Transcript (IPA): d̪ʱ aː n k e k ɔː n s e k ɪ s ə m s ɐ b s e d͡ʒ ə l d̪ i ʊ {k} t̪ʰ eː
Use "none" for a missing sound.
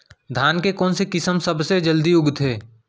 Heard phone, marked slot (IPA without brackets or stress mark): ɡ